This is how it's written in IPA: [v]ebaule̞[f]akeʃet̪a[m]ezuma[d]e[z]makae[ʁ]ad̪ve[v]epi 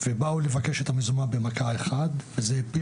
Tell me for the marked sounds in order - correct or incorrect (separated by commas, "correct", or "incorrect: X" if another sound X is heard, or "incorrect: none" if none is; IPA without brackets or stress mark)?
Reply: correct, incorrect: v, correct, incorrect: b, incorrect: none, incorrect: χ, incorrect: z